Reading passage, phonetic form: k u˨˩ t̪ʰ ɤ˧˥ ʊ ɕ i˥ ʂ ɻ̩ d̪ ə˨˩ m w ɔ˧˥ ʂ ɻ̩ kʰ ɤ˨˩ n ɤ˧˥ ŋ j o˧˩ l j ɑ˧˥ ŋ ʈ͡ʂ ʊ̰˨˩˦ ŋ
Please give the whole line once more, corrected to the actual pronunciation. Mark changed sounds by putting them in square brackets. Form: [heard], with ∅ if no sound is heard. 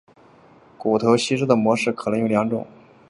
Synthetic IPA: k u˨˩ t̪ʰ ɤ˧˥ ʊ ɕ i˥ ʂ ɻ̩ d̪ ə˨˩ m w ɔ˧˥ ʂ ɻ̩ kʰ ɤ˨˩ n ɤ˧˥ ŋ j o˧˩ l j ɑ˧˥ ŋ ʈ͡ʂ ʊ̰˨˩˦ ŋ